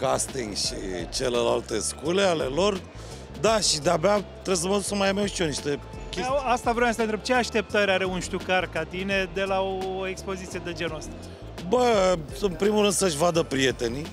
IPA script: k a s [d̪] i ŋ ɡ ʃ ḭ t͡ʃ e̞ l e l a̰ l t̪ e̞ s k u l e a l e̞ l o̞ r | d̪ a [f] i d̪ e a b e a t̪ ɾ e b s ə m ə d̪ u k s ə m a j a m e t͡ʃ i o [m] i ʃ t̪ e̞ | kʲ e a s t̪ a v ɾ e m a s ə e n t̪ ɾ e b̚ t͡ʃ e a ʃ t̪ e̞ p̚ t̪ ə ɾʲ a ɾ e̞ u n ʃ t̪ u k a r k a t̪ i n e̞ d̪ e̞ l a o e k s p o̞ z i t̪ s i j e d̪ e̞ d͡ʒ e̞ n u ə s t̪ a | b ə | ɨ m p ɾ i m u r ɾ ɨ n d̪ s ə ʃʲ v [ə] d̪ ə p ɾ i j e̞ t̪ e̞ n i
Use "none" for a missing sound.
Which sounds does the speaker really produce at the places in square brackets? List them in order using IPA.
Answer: t̪, ʃ, n, a

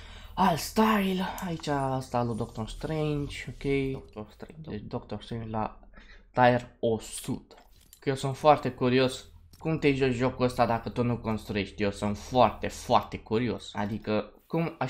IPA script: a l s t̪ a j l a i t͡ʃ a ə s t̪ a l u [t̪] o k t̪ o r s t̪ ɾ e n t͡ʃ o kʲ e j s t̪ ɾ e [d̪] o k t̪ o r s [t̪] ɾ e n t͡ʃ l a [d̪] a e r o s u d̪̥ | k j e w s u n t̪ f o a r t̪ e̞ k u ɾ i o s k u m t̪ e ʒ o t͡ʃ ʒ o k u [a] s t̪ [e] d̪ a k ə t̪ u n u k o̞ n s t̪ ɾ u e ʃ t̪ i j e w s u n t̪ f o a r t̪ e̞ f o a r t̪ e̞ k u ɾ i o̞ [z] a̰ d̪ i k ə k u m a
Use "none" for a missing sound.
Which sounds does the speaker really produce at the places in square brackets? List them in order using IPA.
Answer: d̪, d̪, t̪, t̪, ə, a, s

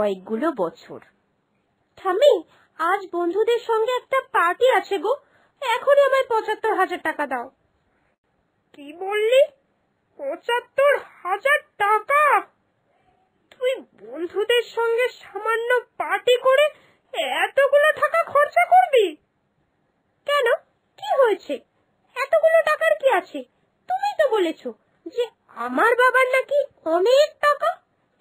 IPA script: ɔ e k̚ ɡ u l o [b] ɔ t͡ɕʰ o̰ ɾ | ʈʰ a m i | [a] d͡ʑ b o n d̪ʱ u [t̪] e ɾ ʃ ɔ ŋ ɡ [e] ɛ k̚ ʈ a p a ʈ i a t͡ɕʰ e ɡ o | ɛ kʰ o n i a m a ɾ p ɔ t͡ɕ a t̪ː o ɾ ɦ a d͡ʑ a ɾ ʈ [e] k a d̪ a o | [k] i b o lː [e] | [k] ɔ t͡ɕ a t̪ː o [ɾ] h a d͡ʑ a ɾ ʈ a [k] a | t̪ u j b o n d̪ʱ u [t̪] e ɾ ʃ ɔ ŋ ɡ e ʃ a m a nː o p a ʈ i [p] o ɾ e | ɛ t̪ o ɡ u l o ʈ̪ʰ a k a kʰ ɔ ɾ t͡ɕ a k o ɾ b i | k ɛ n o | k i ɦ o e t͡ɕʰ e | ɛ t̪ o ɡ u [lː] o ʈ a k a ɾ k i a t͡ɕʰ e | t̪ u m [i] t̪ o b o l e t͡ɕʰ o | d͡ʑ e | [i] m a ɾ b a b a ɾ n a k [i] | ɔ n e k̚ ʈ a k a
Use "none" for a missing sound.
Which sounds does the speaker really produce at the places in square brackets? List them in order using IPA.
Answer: b, a, d̪, e, a, k, i, p, ɾ, k, d̪, k, l, i, a, i

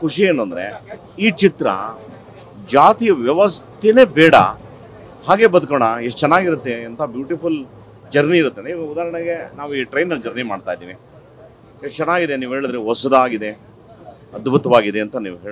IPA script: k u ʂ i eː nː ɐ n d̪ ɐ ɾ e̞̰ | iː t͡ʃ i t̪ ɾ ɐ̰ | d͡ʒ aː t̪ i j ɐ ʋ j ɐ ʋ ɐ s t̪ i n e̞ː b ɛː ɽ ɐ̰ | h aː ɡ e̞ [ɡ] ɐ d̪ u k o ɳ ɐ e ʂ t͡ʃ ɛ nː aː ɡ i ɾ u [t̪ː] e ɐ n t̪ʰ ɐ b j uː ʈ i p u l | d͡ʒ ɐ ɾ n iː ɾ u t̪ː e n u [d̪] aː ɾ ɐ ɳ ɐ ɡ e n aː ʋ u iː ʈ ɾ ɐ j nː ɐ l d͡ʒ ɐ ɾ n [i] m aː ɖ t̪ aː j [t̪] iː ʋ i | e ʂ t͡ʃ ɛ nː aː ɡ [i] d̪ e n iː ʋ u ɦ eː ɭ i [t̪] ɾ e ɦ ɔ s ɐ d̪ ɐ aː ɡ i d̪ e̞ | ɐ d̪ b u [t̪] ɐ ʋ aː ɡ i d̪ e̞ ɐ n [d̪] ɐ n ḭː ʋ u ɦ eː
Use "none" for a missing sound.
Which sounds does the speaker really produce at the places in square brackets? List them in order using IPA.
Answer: b, t̪ː, d̪, i, d̪, i, d̪, t̪, t̪

